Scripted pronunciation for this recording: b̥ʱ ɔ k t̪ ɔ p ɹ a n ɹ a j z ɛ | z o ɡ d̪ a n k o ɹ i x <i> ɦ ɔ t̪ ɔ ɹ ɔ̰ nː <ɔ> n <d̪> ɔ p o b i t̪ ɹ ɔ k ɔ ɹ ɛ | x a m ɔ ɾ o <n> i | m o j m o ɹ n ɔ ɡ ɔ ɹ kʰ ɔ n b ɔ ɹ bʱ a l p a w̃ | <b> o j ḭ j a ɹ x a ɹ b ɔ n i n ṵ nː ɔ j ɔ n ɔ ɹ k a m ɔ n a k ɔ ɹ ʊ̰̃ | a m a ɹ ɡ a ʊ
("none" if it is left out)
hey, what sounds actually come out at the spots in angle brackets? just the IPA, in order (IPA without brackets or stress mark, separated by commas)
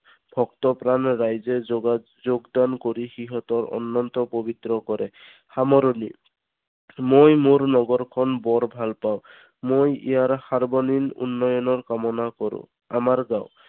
i, ɔ, t̪, n, m